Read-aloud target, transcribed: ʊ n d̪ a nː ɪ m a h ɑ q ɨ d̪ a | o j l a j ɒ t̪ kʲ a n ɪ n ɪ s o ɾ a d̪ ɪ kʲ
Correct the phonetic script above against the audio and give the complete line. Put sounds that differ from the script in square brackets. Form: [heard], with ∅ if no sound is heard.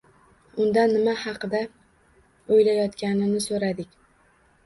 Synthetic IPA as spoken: ʊ n d̪ a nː ɪ m a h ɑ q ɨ d̪ a | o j l a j ɒ t̪ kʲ a n ɪ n ɪ s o ɾ a d̪ ɪ kʲ